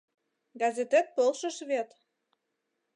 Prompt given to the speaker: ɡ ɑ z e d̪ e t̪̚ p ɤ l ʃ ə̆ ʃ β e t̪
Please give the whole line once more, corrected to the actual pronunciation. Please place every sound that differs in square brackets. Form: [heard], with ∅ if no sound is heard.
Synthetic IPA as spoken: ɡ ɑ z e [t̪] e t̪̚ p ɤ l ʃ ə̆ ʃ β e t̪